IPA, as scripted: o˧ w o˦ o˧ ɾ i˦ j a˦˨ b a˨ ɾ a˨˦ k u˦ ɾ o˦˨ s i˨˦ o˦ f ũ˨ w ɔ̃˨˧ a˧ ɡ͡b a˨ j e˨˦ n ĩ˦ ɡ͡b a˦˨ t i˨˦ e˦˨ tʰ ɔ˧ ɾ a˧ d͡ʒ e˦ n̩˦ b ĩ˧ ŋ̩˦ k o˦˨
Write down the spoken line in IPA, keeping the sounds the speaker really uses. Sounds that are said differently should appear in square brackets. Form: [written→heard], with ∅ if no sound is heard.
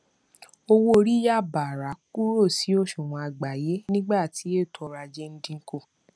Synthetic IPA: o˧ w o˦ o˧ ɾ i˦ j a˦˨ b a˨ ɾ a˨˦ k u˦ ɾ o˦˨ s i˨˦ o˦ [f→ʃ] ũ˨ w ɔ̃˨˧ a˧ ɡ͡b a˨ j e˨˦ n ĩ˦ ɡ͡b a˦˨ t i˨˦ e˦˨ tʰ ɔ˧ ɾ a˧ d͡ʒ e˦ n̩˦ [b→d] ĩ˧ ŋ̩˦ k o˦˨